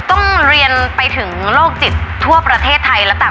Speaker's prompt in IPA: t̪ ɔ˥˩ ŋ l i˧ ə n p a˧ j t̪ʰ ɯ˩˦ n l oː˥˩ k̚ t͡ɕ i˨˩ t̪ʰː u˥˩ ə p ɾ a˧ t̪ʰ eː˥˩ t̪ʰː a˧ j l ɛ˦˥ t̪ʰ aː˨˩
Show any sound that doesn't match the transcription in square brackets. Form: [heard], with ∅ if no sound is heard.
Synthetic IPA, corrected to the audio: t̪ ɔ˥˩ ŋ [ɾ] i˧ ə n p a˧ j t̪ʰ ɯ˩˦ [ŋ] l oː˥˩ k̚ t͡ɕ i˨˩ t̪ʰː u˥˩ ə p ɾ a˧ t̪ʰ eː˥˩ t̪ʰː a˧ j l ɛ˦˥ [t̪] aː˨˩